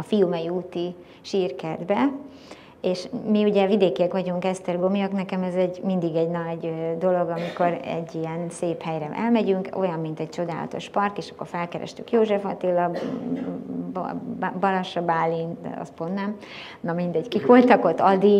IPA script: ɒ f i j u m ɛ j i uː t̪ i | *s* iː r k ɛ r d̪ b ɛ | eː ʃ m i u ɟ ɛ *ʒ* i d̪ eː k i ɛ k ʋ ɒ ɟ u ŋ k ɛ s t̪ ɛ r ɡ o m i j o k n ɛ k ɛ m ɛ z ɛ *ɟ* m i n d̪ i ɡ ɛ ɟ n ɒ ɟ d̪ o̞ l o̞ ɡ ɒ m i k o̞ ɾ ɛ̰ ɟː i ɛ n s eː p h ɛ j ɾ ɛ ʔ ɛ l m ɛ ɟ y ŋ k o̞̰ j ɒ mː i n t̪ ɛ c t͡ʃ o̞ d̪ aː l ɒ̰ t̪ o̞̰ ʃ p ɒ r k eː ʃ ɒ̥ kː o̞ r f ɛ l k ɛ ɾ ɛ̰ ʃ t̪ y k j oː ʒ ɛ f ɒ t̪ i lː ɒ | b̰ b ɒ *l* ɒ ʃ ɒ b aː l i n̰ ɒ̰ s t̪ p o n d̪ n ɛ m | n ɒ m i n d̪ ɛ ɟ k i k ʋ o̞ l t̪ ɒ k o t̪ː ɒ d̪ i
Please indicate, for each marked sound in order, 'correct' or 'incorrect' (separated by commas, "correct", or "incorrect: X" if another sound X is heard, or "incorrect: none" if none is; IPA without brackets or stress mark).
incorrect: ʃ, incorrect: v, correct, correct